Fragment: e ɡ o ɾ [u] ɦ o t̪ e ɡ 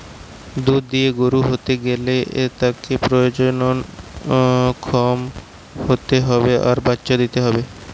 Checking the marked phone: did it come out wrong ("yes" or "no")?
no